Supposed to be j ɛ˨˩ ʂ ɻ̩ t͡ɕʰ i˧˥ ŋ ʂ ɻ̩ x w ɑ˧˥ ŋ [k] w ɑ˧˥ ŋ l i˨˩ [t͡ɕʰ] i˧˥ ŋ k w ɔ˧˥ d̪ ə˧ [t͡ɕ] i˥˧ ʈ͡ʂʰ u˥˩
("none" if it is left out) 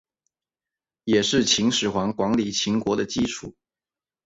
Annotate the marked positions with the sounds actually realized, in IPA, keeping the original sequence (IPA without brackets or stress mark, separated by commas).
k, t͡ɕʰ, t͡ɕ